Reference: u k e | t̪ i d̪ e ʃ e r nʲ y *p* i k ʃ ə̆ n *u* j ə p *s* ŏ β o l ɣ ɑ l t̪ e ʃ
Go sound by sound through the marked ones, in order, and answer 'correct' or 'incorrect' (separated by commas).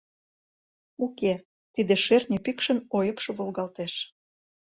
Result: correct, incorrect, incorrect